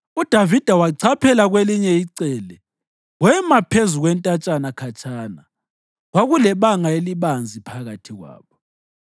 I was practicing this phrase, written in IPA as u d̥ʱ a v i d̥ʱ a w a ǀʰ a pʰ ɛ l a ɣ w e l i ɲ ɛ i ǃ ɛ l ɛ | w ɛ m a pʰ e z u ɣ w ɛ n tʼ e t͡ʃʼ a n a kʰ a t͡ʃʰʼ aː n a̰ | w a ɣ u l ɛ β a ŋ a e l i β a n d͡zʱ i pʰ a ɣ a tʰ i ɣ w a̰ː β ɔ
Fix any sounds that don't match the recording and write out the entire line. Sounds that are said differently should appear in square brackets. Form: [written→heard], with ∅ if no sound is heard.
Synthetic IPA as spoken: u d̥ʱ a v i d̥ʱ a w a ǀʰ a pʰ ɛ l a ɣ w e l i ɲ ɛ i [ǃ→ǀ] ɛ l ɛ | w ɛ m a pʰ e z u ɣ w ɛ n tʼ [e→a] t͡ʃʼ a n a kʰ a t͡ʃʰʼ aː n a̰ | w a ɣ u l ɛ β a ŋ a e l i β a n d͡zʱ i pʰ a ɣ a tʰ i ɣ w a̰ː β ɔ